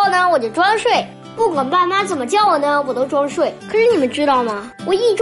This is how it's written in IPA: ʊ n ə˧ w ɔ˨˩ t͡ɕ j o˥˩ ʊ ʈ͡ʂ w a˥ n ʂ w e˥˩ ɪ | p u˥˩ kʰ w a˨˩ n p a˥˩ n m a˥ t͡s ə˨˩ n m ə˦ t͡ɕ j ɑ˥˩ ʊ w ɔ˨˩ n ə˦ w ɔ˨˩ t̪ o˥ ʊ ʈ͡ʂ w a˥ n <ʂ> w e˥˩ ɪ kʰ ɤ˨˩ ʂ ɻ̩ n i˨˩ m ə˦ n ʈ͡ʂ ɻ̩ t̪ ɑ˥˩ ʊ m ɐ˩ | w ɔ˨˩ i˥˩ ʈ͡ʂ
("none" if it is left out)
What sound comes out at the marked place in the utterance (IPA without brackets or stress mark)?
ʂ